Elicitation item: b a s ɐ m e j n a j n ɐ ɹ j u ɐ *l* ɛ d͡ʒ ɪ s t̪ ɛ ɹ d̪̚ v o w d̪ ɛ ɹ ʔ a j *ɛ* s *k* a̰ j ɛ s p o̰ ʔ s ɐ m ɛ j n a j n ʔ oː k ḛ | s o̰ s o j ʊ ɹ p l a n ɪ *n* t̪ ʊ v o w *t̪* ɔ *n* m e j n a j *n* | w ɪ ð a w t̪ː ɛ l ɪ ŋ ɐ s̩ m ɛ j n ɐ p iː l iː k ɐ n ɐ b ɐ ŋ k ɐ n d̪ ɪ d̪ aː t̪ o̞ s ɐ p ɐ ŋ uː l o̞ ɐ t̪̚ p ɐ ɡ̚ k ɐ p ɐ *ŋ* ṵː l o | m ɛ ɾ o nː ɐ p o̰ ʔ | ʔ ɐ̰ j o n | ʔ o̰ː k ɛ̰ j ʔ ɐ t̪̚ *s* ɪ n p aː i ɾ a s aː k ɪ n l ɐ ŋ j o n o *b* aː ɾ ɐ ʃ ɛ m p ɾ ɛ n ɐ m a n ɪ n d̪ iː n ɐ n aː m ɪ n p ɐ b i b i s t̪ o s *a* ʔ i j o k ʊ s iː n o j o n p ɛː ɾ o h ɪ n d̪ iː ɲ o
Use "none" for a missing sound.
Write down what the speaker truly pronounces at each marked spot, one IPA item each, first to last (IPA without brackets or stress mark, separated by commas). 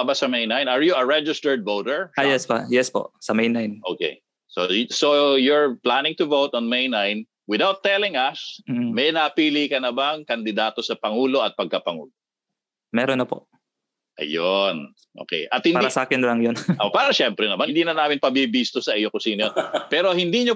ɹ, ɛ, p, ŋ, t̪, n, n, ŋ, h, p, ɐ